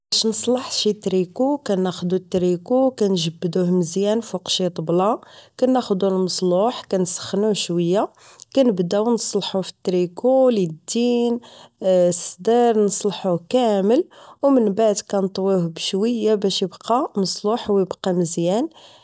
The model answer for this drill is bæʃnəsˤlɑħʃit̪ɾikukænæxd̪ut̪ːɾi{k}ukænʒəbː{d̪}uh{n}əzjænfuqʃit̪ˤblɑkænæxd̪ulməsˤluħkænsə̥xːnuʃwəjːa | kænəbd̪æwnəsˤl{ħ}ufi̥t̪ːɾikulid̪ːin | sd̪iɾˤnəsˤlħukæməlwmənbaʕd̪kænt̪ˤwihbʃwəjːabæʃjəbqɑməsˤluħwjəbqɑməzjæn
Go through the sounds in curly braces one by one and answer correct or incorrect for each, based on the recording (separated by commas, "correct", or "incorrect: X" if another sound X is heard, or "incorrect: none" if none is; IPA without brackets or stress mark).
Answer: correct, correct, incorrect: m, correct